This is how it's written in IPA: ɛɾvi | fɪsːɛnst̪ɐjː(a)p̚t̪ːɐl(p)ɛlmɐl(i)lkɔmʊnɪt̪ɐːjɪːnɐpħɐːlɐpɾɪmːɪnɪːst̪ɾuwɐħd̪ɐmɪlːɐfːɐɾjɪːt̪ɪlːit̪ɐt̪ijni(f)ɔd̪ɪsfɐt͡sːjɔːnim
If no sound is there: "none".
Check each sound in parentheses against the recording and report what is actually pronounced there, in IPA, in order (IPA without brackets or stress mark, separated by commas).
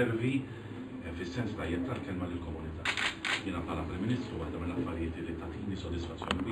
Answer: ɛ, k, ɪ, s